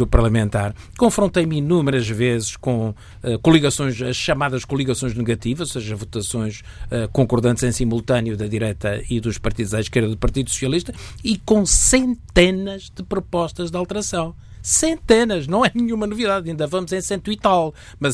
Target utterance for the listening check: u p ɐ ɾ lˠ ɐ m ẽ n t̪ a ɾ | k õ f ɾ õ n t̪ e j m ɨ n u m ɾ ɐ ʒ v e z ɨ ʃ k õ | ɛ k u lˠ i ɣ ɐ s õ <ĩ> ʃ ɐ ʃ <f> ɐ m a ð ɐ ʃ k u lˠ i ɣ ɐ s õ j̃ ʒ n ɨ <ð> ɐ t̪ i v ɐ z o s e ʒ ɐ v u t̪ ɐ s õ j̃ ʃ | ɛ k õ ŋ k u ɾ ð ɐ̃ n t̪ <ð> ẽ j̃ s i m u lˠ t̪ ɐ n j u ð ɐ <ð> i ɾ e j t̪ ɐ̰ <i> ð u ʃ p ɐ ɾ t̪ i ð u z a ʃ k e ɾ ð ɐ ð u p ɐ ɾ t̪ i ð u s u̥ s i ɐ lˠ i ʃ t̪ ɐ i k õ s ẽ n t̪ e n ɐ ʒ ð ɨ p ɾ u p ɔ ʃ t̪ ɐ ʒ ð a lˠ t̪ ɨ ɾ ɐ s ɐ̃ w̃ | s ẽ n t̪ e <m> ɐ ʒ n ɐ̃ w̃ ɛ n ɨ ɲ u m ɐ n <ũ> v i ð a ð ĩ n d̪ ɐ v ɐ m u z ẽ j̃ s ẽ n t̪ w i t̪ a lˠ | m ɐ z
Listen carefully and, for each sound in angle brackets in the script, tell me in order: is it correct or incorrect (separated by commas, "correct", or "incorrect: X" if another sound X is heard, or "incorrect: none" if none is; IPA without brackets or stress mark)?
incorrect: j̃, incorrect: ʃ, incorrect: ɣ, incorrect: z, correct, correct, incorrect: n, incorrect: u